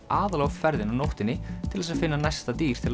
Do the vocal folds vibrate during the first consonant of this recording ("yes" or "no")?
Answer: yes